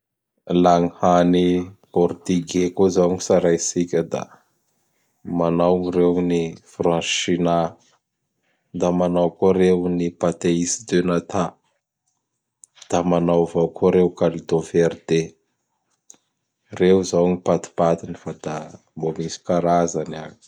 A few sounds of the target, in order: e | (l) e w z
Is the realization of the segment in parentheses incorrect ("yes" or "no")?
yes